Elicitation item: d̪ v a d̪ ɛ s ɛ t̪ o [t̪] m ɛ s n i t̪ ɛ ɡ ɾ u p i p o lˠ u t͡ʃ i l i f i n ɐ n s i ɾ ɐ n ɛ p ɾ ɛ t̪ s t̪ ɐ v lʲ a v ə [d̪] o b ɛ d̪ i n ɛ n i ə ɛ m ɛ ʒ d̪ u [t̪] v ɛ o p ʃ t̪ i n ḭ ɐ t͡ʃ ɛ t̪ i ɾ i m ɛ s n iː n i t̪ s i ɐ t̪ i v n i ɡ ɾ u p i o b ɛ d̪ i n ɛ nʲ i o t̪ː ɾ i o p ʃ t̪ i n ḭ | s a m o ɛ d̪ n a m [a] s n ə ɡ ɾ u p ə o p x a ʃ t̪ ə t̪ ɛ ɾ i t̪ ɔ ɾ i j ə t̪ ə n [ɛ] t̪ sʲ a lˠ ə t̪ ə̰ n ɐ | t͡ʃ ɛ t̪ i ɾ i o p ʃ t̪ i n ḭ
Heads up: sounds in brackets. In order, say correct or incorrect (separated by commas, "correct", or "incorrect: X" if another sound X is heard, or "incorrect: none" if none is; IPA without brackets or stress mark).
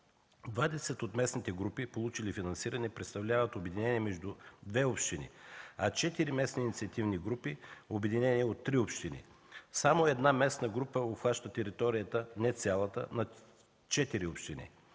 correct, incorrect: t̪, incorrect: d̪, incorrect: ɛ, correct